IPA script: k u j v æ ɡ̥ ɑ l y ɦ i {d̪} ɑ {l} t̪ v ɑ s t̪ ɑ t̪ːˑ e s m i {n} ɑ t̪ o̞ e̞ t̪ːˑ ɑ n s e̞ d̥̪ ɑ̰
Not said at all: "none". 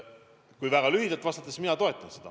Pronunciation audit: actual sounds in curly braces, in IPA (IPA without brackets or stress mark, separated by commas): d̪, l, n